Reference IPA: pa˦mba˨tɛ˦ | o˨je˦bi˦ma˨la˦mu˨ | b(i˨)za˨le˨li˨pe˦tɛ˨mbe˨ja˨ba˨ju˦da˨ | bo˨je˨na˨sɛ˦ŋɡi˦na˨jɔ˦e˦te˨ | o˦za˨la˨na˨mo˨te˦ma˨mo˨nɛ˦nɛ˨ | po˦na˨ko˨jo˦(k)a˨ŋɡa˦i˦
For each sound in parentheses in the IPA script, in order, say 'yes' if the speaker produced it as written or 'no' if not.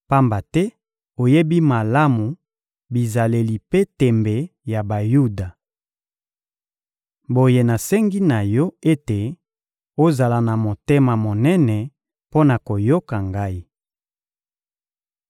yes, yes

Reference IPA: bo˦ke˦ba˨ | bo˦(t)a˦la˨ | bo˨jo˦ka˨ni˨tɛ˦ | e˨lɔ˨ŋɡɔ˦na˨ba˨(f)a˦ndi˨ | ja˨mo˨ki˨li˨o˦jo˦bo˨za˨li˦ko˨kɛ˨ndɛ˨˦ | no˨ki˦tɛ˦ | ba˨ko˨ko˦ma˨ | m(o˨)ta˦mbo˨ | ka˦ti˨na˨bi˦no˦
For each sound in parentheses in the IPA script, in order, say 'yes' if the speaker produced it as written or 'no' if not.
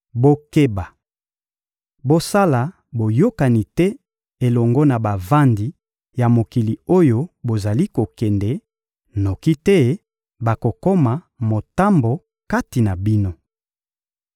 no, no, yes

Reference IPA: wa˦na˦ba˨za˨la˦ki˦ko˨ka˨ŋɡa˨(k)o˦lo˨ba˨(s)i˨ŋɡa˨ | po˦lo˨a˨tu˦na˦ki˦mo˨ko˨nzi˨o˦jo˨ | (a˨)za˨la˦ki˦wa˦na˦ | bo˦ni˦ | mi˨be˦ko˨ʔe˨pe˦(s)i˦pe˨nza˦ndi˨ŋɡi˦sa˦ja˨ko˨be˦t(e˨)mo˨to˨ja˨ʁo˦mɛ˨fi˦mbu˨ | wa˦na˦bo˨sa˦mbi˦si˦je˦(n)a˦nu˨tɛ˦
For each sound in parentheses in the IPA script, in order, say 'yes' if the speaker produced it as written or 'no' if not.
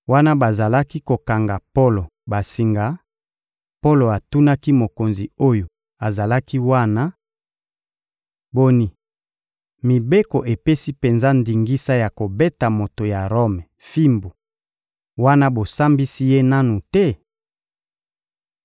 no, yes, yes, yes, no, yes

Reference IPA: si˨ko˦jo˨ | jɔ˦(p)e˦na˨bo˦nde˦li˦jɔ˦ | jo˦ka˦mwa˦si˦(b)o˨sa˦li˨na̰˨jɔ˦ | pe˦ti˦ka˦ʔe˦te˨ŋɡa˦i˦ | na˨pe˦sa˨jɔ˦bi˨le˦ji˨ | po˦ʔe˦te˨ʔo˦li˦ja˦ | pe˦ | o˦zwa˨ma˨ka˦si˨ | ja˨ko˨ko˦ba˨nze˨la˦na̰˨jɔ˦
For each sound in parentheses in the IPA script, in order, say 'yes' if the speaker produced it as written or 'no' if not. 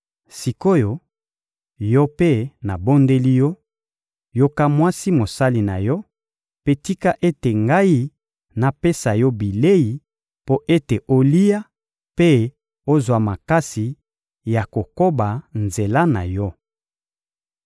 yes, no

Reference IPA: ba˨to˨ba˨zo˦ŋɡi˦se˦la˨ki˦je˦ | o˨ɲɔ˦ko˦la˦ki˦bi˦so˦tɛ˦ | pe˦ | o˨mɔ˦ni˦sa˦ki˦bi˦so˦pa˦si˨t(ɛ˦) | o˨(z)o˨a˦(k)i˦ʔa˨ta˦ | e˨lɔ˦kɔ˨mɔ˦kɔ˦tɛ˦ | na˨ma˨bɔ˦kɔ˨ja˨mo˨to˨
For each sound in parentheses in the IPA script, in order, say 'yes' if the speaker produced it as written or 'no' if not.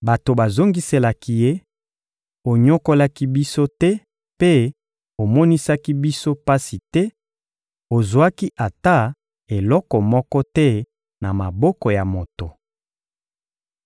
yes, yes, yes

